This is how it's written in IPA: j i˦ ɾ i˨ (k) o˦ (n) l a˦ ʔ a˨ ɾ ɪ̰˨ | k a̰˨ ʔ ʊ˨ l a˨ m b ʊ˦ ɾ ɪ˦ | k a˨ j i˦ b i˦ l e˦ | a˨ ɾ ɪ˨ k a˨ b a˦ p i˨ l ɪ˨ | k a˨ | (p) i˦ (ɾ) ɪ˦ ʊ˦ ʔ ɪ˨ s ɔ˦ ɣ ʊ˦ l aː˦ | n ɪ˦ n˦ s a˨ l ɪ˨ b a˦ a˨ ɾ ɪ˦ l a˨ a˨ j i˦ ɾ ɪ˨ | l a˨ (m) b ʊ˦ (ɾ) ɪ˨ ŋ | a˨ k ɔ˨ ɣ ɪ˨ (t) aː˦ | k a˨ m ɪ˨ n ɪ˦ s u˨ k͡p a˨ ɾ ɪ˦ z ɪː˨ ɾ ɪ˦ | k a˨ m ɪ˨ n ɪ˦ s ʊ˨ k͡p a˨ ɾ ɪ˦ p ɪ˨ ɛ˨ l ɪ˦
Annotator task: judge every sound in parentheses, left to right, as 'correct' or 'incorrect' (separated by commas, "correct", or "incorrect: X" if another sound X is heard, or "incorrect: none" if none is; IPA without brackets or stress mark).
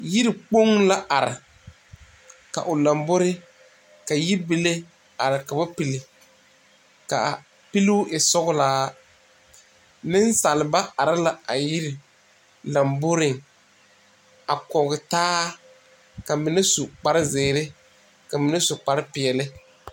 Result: incorrect: k͡p, incorrect: ŋ, correct, incorrect: l, correct, correct, correct